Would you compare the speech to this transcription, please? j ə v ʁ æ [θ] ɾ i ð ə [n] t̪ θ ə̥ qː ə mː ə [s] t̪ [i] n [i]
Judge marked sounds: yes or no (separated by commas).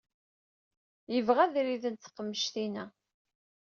no, yes, no, yes, no